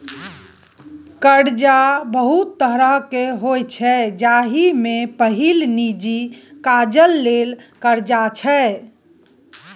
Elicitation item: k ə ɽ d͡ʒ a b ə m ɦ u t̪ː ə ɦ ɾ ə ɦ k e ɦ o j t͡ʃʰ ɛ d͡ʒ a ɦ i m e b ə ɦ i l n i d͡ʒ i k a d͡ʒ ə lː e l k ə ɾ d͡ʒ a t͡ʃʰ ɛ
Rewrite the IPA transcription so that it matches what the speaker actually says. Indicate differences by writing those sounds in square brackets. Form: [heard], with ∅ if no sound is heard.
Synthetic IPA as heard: k ə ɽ d͡ʒ a b ə [∅] ɦ u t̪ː ə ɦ ɾ ə ɦ k e ɦ o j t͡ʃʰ ɛ d͡ʒ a ɦ i m e [p] ə ɦ i l n i d͡ʒ i k a d͡ʒ ə lː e l k ə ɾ d͡ʒ a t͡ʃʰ ɛ

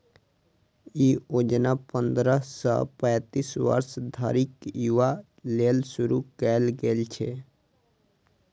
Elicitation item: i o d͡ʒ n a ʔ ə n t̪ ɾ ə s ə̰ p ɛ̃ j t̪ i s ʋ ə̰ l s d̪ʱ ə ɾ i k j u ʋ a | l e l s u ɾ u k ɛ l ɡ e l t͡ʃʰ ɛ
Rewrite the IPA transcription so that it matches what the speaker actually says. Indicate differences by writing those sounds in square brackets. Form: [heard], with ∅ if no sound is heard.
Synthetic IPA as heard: i o d͡ʒ n a [p] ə n [d̪] ɾ ə s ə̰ p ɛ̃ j t̪ i s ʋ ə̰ [ɾ] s d̪ʱ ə ɾ i k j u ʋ a | l e l s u ɾ u k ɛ l ɡ e l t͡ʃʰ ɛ

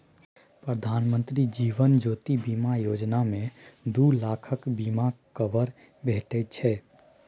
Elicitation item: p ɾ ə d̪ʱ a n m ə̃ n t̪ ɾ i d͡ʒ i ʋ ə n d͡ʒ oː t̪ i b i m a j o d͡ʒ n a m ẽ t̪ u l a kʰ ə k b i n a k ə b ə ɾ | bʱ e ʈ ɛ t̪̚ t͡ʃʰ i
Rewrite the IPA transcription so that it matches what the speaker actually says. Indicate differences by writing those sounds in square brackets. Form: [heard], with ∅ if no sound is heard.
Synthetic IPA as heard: p ɾ ə d̪ʱ a n m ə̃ n t̪ ɾ i d͡ʒ i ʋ ə n d͡ʒ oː t̪ i b i m a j o d͡ʒ n a m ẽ [d̪] u l a kʰ ə k b i [m] a k ə b ə ɾ | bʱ e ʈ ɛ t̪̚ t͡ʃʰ [ɛ]

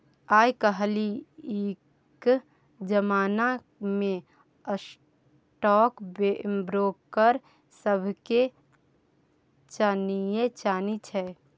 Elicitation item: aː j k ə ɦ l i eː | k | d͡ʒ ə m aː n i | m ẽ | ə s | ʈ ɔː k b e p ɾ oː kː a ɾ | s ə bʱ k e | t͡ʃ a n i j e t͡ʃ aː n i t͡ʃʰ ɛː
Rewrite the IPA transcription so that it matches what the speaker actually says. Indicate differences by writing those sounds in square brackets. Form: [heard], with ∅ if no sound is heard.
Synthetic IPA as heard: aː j k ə ɦ l i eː | k | d͡ʒ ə m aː n [a] | m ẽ | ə s | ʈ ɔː k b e [b] ɾ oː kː [ə] ɾ | s ə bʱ k e | t͡ʃ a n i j e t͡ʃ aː n i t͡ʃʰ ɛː

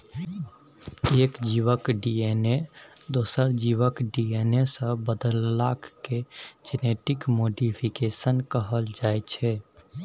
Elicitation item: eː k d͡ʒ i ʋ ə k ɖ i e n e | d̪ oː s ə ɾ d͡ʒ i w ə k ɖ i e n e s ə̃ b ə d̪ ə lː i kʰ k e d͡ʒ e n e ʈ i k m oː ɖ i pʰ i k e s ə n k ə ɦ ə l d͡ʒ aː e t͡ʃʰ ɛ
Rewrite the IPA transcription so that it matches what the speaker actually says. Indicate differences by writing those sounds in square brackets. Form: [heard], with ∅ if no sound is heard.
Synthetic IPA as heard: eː k d͡ʒ i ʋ ə k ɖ i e n e | d̪ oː s ə ɾ d͡ʒ i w ə k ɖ i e n e s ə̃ b ə d̪ ə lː [a] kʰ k e d͡ʒ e n e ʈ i k m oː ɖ i pʰ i k e s ə n k ə ɦ ə l d͡ʒ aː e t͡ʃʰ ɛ

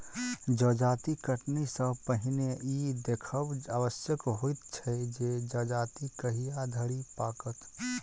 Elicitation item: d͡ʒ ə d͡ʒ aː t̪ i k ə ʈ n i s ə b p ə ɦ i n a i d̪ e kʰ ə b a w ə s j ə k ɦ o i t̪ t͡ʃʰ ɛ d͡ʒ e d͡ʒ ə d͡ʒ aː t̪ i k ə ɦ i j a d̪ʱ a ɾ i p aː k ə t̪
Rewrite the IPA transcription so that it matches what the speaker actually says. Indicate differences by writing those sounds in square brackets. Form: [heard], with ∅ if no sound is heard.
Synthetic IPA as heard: d͡ʒ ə d͡ʒ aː t̪ i k ə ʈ n i s ə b p ə ɦ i n [e] i d̪ e kʰ ə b a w ə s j ə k ɦ o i t̪ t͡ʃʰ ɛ d͡ʒ e d͡ʒ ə d͡ʒ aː t̪ i k ə ɦ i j a d̪ʱ [ə] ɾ i p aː k ə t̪

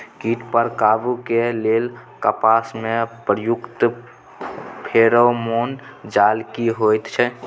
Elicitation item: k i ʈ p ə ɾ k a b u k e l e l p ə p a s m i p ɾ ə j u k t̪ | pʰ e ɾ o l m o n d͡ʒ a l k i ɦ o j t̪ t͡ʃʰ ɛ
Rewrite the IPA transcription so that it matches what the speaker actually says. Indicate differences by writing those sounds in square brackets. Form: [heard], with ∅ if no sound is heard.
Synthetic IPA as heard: k i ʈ p ə ɾ k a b u k e l e l [k] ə p a s m [e] p ɾ ə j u k t̪ | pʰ e ɾ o [∅] m o n d͡ʒ a l k i ɦ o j t̪ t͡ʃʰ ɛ

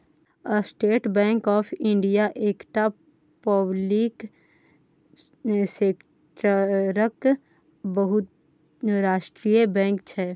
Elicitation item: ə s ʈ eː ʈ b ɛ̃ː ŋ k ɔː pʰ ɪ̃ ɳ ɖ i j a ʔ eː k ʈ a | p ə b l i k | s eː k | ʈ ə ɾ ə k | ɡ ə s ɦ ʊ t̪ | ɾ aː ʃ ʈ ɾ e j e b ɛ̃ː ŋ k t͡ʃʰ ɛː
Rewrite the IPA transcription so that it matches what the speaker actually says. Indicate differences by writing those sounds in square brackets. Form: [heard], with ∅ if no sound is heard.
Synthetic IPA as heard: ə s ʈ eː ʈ b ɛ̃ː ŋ k ɔː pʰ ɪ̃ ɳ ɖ i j a ʔ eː k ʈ a | p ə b l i k | s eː k | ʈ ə ɾ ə k | [b] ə [∅] ɦ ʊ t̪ | ɾ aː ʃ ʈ ɾ [i] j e b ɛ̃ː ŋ k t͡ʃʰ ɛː

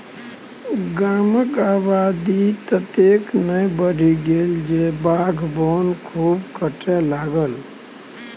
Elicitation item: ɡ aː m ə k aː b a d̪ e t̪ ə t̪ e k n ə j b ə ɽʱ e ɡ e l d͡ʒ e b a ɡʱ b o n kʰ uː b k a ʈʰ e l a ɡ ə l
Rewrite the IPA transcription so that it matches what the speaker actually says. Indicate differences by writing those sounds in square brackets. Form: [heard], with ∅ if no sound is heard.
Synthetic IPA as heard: ɡ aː m ə k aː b a d̪ [i] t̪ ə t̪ e k n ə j b ə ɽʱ [i] ɡ e l d͡ʒ e b a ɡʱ b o n kʰ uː b k [ə] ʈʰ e l a ɡ ə l

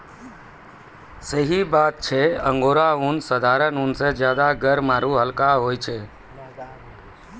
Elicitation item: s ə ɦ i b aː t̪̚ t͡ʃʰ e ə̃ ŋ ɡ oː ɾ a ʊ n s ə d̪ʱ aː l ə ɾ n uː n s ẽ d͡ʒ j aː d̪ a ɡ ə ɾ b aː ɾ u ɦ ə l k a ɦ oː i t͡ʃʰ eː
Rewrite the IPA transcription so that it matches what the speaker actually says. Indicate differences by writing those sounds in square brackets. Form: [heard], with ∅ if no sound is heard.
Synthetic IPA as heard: s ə ɦ i b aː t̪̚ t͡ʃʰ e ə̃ ŋ ɡ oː ɾ a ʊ n s ə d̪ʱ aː [ɾ] ə [∅] n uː n s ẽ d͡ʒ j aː d̪ a ɡ ə ɾ [m] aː ɾ u ɦ ə l k a ɦ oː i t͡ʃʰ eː

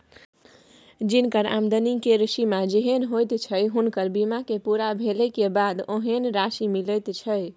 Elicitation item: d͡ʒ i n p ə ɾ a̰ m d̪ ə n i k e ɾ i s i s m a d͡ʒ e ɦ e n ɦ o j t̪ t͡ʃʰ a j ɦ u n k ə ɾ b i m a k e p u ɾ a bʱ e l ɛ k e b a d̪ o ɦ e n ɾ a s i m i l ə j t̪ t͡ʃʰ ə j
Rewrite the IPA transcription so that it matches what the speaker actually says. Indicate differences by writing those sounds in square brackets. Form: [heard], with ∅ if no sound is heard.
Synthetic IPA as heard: d͡ʒ i n [k] ə ɾ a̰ m d̪ ə n i k e ɾ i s i [∅] m a d͡ʒ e ɦ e n ɦ o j t̪ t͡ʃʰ [ə] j ɦ u n k ə ɾ b i m a k e p u ɾ a bʱ e l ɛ k e b a d̪ o ɦ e n ɾ a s i m i l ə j t̪ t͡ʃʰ ə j

